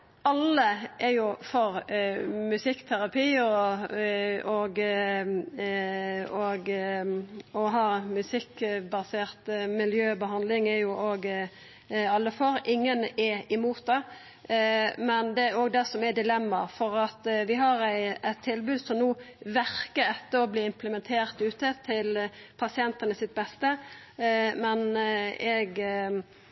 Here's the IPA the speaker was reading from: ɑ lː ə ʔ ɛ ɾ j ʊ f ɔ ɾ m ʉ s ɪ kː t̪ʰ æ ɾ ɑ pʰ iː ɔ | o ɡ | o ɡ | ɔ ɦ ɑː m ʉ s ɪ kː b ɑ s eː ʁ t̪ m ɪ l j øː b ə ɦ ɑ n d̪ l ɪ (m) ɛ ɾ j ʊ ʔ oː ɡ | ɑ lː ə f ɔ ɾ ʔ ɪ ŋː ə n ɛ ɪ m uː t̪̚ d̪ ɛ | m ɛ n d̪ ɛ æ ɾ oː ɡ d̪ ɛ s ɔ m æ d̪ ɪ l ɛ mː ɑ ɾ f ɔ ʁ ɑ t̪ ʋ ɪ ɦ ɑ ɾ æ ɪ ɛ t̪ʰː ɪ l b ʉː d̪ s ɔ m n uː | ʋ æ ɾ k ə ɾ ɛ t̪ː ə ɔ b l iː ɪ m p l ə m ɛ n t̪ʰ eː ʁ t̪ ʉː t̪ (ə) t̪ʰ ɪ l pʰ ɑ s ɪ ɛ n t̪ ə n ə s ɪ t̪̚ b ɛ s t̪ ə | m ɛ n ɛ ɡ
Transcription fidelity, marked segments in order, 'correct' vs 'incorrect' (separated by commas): incorrect, correct